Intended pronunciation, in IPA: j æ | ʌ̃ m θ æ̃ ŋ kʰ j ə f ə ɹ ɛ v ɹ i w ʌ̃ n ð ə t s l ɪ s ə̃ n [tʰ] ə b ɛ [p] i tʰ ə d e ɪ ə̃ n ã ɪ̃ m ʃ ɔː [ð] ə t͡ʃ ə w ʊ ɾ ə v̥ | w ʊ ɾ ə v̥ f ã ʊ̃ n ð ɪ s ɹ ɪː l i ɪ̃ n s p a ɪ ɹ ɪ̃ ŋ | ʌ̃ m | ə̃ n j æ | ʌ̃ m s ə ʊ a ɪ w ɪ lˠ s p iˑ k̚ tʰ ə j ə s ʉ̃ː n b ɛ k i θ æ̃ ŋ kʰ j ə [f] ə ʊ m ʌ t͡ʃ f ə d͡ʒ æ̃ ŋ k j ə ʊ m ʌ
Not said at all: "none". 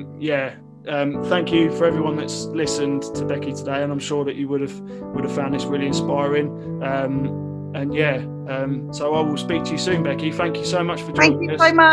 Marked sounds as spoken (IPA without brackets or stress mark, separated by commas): tʰ, k, ð, s